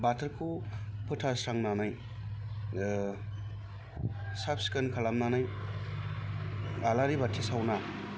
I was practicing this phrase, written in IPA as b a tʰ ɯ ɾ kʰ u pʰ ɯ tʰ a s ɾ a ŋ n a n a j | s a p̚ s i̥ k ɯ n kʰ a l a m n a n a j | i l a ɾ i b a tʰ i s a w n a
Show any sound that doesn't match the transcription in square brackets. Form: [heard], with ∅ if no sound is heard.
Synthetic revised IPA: b a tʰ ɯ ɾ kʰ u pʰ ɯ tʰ a s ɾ a ŋ n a n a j | s a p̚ s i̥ k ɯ n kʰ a l a m n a n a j | [a] l a ɾ i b a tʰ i s a w n a